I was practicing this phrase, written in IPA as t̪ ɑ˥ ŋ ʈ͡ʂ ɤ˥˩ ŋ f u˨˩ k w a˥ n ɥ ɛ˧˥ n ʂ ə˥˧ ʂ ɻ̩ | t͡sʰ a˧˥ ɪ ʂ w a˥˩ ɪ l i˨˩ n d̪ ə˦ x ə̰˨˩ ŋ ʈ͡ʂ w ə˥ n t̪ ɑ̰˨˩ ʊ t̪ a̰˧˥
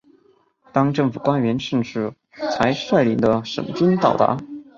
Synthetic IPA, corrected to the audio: t̪ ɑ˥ ŋ ʈ͡ʂ ɤ˥˩ ŋ f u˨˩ k w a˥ n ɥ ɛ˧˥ n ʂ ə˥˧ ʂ ɻ̩ | t͡sʰ a˧˥ ɪ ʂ w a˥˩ ɪ l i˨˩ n d̪ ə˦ ʂ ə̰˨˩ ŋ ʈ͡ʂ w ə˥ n t̪ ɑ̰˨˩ ʊ t̪ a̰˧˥